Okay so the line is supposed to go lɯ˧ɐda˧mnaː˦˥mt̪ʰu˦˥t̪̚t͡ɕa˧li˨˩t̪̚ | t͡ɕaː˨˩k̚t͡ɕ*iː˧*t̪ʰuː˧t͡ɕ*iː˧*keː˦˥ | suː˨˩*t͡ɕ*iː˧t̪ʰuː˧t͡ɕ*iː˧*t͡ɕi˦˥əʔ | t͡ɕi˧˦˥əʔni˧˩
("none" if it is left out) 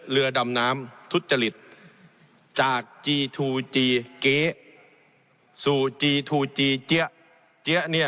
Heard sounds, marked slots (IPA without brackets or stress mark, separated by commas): iː˧, iː˧, t͡ɕ, iː˧